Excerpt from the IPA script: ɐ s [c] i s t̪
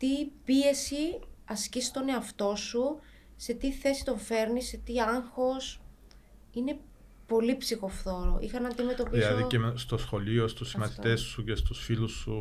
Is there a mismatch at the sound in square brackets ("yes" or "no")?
no